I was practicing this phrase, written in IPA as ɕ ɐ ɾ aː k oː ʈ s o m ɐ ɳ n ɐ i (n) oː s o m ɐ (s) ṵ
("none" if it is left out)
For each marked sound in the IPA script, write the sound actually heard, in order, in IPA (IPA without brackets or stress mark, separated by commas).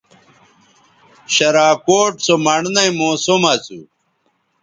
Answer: m, t͡s